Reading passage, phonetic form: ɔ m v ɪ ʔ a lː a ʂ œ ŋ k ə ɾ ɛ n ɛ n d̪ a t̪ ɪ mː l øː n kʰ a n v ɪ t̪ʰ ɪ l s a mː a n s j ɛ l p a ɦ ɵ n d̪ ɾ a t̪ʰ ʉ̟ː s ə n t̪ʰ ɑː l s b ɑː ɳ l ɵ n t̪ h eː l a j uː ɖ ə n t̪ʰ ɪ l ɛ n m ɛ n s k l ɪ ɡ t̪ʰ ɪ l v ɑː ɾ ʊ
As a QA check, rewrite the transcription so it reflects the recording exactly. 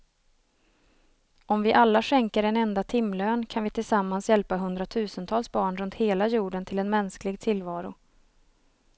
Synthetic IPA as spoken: ɔ m v ɪ ʔ a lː a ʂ ɛ ŋ k ə ɾ ɛ n ɛ n d̪ a t̪ʰ ɪ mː l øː n kʰ a n v ɪ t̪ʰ ɪ l s a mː a n s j ɛ l p a ɦ ɵ n d̪ ɾ a t̪ʰ ʉ̟ː s ə n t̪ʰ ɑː l s b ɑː ɳ ɾ ɵ n t̪ h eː l a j uː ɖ ə n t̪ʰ ɪ l ɛ n m ɛ n s k l ɪ ɡ t̪ʰ ɪ l v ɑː ɾ ʊ

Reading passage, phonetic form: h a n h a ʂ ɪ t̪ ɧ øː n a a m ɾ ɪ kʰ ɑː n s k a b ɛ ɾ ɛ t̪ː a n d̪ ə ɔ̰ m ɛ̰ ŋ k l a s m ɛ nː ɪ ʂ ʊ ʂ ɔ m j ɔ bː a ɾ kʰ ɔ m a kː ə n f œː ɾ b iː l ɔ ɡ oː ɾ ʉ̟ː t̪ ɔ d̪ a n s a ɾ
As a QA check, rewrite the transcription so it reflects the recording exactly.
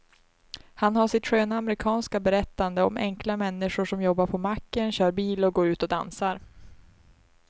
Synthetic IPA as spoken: h a n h a ʂ ɪ t̪ ɧ øː n a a m ɾ ɪ kʰ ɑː n s k a b ɛ ɾ ɛ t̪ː a n d̪ ə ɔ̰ m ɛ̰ ŋ k l a m ɛ nː ɪ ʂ ʊ ʂ ɔ m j ɔ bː a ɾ pʰ ɔ m a kː ə n ɕ œː ɾ b iː l ɔ ɡ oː ɾ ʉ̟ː t̪ ɔ d̪ a n s a ɾ

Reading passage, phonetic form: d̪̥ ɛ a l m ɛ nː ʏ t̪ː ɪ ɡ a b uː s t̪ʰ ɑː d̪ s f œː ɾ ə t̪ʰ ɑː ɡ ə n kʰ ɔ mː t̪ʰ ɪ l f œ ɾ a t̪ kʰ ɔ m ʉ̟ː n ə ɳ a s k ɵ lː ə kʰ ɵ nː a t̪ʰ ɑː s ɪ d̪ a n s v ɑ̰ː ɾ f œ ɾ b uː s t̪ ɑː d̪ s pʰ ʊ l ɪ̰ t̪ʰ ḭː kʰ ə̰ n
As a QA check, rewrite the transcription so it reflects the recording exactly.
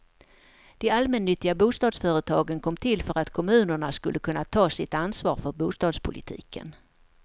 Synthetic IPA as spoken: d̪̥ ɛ a l m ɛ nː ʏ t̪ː ɪ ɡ a b uː s t̪ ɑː d̪ s f œː ɾ ə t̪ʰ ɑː ɡ ə n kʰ ɔ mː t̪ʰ ɪ l f œ ɾ a t̪ kʰ ɔ m ʉ̟ː n ə ɳ a s k ɵ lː ə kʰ ɵ nː a t̪ʰ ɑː s ɪ t̪ a n s v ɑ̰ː ɾ f œ ɾ b uː s t̪ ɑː d̪ s pʰ ʊ l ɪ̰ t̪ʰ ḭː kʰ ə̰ n

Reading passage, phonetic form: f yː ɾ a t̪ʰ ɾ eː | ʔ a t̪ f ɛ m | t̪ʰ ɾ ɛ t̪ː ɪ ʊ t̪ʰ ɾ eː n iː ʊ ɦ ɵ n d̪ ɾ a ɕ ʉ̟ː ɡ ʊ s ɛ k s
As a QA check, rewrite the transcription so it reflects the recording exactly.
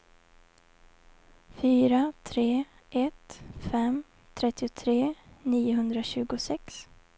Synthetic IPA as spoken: f yː ɾ a t̪ʰ ɾ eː | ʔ ɛ t̪ f ɛ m | t̪ʰ ɾ ɛ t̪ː ɪ ʊ t̪ʰ ɾ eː n iː ʊ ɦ ɵ n d̪ ɾ a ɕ ʉ̟ː ɡ ʊ s ɛ k s

